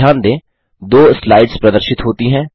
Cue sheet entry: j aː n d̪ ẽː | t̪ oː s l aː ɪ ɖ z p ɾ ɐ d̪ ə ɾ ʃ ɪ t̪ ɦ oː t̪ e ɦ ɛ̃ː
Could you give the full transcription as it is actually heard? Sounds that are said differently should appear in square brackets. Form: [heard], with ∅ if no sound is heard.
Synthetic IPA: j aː n d̪ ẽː | [d̪] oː s l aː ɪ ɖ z p ɾ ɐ d̪ ə ɾ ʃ ɪ t̪ ɦ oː t̪ [i] ɦ ɛ̃ː

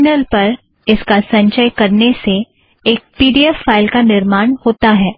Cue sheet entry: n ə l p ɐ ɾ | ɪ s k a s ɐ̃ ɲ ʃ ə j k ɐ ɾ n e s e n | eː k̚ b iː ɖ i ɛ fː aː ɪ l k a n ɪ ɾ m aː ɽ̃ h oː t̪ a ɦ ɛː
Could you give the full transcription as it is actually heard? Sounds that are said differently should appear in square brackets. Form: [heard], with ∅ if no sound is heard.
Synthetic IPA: n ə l p ɐ ɾ | ɪ s k a s ɐ̃ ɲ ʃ ə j k ɐ ɾ n e s e [∅] | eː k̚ [p] iː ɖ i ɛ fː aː ɪ l k a n ɪ ɾ m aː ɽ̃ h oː t̪ a ɦ ɛː

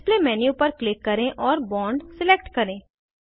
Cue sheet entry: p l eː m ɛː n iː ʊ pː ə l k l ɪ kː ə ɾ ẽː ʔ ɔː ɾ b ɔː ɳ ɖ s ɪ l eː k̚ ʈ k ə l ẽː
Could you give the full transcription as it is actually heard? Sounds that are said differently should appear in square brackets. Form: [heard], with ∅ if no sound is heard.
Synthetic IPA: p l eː m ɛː n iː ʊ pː ə [ɾ] k l ɪ kː ə ɾ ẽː ʔ ɔː ɾ b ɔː ɳ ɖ s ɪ l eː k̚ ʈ k ə [ɾ] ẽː

